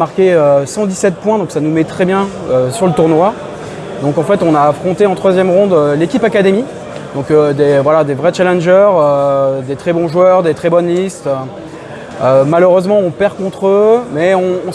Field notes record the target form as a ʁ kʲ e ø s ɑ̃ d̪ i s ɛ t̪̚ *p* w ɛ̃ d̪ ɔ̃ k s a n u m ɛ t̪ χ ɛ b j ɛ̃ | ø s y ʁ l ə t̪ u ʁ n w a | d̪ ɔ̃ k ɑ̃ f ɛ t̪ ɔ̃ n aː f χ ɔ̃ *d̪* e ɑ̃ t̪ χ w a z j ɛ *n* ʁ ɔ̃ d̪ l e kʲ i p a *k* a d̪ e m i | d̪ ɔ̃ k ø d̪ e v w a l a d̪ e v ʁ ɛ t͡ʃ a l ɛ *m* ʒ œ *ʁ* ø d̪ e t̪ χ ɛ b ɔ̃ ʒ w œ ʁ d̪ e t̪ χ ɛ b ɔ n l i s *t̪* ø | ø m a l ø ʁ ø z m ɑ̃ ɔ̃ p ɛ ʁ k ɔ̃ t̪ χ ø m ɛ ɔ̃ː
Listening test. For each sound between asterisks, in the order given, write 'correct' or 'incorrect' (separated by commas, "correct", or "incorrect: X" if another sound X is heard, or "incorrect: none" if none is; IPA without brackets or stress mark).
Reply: correct, incorrect: t̪, incorrect: m, correct, incorrect: n, correct, correct